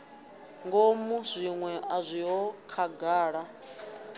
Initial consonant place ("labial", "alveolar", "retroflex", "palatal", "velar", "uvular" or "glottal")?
velar